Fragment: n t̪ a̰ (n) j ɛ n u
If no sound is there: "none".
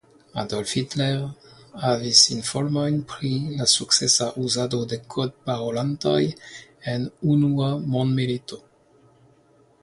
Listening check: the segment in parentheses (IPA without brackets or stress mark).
none